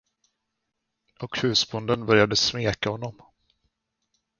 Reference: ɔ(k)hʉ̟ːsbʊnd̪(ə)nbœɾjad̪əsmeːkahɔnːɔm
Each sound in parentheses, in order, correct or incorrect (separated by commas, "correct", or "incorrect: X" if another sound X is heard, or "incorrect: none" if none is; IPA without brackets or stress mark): correct, correct